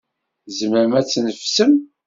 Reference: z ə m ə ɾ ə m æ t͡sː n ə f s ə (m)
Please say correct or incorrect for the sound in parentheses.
correct